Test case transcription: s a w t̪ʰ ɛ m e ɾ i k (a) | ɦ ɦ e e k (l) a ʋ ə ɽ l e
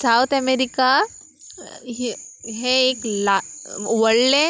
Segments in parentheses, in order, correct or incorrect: correct, correct

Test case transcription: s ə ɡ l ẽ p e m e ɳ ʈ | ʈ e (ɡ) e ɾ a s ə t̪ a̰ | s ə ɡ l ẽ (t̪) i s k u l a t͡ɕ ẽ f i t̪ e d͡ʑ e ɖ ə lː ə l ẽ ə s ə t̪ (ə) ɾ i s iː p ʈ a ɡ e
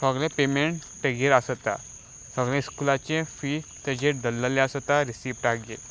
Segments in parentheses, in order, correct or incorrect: correct, incorrect: none, incorrect: a

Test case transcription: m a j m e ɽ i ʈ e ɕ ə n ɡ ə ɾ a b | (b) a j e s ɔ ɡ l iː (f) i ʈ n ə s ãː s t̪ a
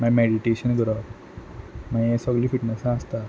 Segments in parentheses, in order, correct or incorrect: incorrect: m, correct

